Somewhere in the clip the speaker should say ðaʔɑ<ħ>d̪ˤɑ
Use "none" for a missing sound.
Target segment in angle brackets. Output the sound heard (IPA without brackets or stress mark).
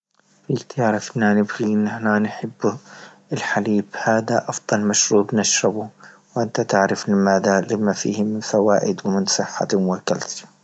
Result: f